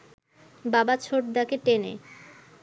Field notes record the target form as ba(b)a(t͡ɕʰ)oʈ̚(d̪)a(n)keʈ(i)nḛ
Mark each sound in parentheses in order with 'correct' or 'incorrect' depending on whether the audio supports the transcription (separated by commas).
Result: correct, correct, correct, incorrect, incorrect